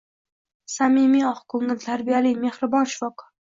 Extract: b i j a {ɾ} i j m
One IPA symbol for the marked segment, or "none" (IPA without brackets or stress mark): l